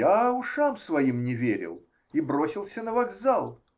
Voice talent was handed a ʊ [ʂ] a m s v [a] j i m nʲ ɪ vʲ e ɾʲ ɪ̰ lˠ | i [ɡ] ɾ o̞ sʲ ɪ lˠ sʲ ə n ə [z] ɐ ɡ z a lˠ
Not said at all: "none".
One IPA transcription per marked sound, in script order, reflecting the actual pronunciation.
ʂ, ɐ, b, v

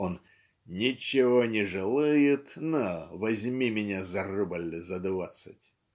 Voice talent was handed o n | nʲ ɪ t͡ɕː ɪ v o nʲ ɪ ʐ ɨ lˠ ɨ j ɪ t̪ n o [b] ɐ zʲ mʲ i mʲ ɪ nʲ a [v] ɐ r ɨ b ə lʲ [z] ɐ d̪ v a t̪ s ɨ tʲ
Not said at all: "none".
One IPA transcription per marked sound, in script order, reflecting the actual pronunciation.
v, z, z

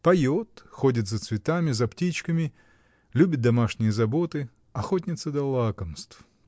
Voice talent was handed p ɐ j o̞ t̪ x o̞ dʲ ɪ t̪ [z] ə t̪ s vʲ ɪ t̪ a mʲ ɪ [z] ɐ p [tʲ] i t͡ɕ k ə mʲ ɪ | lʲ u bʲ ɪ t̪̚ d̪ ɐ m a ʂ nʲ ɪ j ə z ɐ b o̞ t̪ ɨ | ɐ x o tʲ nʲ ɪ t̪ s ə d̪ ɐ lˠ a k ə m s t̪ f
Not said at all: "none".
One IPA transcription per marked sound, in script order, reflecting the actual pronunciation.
z, z, tʲ

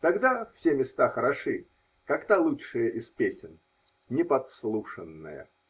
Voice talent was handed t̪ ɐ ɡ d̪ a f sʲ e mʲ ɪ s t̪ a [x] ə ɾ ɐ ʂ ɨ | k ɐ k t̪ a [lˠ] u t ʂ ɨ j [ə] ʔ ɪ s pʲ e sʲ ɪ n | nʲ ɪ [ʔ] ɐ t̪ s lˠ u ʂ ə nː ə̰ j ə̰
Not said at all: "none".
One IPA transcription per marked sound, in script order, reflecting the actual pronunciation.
x, lˠ, ə, p

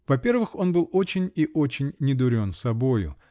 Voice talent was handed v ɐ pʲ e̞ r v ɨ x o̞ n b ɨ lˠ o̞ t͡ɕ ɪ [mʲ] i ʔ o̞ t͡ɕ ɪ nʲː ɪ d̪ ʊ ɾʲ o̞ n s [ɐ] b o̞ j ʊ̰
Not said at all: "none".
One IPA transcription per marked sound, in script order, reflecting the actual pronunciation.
nʲ, ɐ

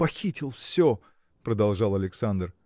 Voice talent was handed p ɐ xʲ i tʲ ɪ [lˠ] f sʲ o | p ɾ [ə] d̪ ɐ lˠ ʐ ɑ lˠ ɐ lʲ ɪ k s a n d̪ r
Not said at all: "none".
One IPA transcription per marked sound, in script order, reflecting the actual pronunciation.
lˠ, ə

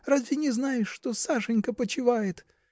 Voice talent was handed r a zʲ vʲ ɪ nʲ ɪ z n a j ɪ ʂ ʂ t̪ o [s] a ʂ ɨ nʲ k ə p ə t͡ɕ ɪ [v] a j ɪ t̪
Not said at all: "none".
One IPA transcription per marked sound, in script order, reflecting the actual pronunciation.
s, v

